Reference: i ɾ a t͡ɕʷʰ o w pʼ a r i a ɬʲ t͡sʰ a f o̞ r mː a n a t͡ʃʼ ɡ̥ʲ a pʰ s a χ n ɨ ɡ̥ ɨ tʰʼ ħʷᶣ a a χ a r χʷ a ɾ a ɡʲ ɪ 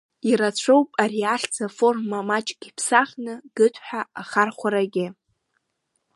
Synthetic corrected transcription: i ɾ a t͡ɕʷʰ o w pʼ a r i a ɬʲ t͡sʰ a f o̞ r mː a m a t͡ʃʼ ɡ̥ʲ i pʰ s a χ n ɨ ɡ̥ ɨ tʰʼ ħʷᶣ a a χ a r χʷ a ɾ a ɡʲ ɪ

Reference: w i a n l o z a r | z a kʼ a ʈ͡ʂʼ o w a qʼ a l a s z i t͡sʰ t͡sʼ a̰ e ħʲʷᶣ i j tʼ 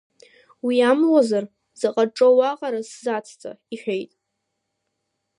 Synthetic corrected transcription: w i a m l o z a r | z a qʼ a ʈ͡ʂʼ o w a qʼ a ɾ a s z a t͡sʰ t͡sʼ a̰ i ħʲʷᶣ e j tʼ

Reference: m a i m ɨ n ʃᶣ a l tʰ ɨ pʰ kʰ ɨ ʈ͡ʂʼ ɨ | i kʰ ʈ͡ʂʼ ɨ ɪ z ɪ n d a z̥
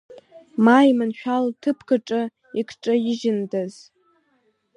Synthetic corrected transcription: m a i m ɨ n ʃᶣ a l tʰ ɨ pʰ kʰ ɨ ʈ͡ʂʼ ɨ | i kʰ ʈ͡ʂʼ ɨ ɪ ʒ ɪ n d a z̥

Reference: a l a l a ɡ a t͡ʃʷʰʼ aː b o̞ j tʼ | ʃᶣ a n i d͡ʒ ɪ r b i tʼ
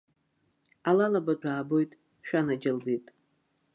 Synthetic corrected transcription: a l a l a b a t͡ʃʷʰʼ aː b o̞ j tʼ | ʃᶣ a n a d͡ʒ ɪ l b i tʼ

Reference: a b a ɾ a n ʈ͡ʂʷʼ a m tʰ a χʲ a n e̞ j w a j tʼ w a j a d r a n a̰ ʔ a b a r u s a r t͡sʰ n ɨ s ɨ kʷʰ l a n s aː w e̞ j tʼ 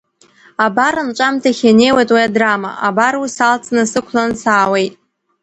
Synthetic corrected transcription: a b a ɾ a n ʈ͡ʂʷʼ a m tʰ a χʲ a n e̞ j w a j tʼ w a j a d r a m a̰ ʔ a b a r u s a l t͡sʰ n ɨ s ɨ kʷʰ l a n s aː w e̞ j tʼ

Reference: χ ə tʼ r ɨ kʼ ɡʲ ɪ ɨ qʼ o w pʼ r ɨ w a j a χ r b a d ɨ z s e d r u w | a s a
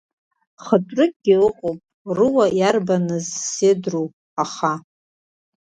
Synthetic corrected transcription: χ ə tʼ r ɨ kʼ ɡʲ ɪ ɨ qʼ o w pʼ r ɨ w a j a r b a n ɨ z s e d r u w | a χ a

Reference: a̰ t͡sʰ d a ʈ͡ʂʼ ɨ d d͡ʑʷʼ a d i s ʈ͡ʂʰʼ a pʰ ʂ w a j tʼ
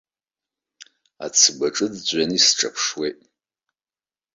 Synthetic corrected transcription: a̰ t͡sʰ b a ʈ͡ʂʼ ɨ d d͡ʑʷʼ a n i s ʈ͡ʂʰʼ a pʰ ʂ w e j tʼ

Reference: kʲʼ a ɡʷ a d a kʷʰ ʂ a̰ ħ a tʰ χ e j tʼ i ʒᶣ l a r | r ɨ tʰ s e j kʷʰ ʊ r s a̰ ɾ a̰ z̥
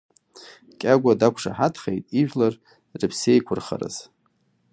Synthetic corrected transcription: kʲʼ a ɡʷ a d a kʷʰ ʂ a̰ ħ a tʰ χ e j tʼ i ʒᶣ l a r | r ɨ pʰ s e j kʷʰ ʊ r χ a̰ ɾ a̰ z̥

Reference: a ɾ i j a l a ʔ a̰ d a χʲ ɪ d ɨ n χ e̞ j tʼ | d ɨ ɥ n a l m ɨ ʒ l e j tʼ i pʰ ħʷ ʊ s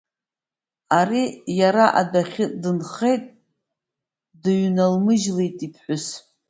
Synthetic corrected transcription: a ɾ i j a ɾ a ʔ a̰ d a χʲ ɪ d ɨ n χ e̞ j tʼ | d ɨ ɥ n a l m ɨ ʒ l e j tʼ i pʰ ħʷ ʊ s

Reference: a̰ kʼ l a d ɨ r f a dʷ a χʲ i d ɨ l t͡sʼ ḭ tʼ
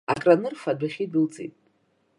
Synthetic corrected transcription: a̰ kʼ r a n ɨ r f a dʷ a χʲ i d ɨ l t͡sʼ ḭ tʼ

